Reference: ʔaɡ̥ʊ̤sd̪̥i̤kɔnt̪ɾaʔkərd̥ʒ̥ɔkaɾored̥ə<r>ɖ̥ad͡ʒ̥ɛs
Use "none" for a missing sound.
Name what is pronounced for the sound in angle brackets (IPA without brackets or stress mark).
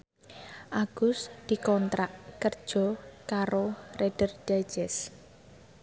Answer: r